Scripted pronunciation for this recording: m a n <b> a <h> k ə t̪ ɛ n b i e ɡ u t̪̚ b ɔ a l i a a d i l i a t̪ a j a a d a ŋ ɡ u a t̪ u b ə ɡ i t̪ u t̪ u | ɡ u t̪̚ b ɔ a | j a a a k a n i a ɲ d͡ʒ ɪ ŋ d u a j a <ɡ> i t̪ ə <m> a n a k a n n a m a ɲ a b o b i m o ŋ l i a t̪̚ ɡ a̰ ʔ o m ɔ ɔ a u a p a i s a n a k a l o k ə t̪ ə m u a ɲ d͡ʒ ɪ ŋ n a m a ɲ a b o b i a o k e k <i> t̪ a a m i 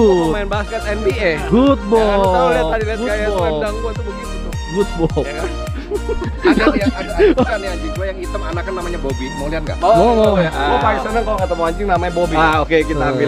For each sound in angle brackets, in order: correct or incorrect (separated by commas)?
correct, incorrect, incorrect, correct, correct